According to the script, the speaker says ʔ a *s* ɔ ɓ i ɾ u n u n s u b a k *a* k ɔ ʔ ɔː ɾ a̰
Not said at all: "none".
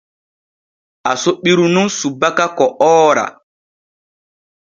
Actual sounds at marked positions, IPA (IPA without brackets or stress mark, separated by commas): s, a